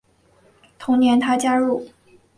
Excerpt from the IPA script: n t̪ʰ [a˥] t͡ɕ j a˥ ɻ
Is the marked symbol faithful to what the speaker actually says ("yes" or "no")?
yes